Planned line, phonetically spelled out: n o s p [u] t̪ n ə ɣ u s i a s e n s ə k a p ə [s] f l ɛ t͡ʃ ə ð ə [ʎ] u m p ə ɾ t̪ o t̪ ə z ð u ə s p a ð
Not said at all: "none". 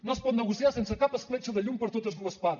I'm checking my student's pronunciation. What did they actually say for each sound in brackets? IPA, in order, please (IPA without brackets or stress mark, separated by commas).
ɔ, s, ʎ